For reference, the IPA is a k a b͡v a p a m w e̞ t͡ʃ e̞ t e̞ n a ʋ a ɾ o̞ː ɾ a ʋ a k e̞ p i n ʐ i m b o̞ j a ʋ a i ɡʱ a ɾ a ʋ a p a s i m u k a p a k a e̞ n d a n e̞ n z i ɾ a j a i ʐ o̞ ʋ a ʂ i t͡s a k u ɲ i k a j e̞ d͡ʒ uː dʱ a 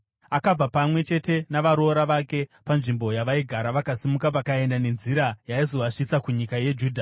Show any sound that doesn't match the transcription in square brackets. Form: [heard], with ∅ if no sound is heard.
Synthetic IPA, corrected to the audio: a k a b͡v a p a m w e̞ t͡ʃ e̞ t e̞ n a ʋ a ɾ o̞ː ɾ a ʋ a k e̞ p [a] n ʐ i m b o̞ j a ʋ a i ɡʱ a ɾ a ʋ a [k] a s i m u k a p a k a e̞ n d a n e̞ n z i ɾ a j a i [z] o̞ ʋ a ʂ i t͡s a k u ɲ i k a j e̞ d͡ʒ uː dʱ a